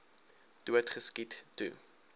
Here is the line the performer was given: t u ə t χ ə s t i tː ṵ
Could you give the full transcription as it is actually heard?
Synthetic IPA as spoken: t u ə t χ ə s k i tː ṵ